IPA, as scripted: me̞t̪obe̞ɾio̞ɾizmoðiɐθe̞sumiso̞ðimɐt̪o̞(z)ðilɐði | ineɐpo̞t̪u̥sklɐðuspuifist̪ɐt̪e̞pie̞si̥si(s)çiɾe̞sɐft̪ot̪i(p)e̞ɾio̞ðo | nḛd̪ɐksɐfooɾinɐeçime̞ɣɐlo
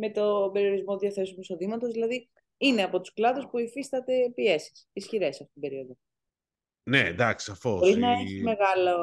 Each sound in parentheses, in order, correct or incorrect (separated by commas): correct, correct, incorrect